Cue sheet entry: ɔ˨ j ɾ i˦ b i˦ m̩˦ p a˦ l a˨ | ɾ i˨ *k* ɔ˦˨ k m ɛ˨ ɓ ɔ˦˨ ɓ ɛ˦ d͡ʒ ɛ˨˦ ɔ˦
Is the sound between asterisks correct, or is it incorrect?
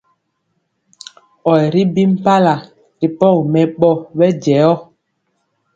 incorrect